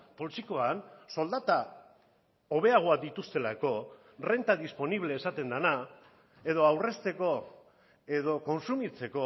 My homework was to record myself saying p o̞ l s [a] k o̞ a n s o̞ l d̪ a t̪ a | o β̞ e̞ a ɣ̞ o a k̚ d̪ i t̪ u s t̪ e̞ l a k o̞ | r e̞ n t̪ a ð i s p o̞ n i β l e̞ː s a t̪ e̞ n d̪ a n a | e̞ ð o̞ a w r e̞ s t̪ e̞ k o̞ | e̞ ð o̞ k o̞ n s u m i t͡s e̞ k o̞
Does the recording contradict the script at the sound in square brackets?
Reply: yes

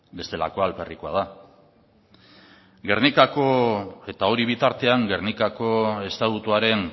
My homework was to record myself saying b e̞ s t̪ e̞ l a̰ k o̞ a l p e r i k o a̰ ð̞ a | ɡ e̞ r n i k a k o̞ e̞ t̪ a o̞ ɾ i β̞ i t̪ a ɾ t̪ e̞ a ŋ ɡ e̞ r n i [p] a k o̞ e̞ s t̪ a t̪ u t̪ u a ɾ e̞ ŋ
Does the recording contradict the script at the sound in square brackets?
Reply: yes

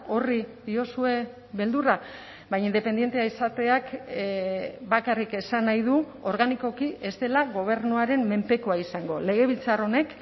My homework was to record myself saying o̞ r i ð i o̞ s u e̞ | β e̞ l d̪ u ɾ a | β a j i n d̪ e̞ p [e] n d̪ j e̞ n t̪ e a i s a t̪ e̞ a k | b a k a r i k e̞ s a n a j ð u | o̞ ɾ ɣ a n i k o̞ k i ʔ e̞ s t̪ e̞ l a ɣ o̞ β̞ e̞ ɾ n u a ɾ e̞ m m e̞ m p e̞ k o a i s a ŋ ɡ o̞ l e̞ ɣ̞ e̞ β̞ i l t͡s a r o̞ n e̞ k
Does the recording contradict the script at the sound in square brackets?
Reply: no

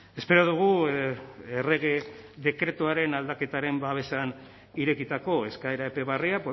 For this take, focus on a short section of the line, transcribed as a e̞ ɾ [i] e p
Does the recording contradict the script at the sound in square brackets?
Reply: yes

